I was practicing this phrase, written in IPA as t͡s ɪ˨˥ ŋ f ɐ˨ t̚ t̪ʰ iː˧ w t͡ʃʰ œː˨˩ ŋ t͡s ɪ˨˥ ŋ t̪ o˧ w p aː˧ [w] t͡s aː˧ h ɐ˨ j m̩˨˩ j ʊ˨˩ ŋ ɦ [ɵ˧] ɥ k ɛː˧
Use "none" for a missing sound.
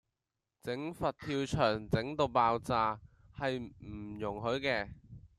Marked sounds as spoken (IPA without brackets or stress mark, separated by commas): w, ɵ˨˥